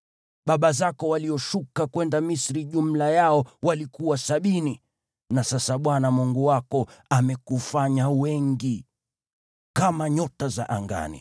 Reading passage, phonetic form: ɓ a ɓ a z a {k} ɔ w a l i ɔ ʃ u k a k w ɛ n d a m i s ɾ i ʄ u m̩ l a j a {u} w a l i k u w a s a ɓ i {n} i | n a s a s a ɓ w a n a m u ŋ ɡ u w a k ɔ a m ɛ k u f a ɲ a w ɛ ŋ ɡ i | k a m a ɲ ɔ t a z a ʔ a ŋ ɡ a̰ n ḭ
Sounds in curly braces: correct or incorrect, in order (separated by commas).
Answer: correct, incorrect, correct